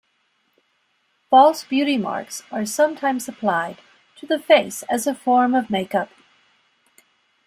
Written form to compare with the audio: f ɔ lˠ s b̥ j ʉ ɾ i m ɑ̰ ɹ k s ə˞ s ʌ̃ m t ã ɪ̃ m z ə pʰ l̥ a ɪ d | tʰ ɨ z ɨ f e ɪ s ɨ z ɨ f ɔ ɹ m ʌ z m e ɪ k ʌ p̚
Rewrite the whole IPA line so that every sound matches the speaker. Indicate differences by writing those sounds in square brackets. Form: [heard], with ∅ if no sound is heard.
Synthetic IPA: f ɔ lˠ s b̥ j ʉ ɾ i m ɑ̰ ɹ k s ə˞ s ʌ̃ m [tʰ] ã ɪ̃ m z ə pʰ l̥ a ɪ d | tʰ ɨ [ð] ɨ f e ɪ s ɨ z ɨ f ɔ ɹ m ʌ [v] m e ɪ k ʌ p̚